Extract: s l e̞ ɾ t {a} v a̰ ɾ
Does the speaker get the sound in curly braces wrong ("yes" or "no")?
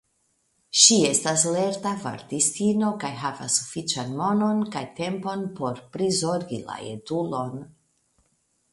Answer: no